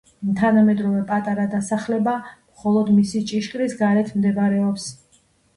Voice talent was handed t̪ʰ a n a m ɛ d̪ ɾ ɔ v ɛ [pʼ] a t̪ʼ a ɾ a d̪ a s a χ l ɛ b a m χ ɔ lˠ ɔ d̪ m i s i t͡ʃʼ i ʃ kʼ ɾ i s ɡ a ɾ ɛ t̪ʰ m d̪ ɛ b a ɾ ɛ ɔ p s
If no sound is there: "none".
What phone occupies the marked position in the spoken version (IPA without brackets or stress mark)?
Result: pʼ